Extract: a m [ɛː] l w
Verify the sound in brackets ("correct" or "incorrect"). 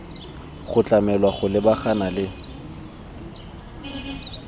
incorrect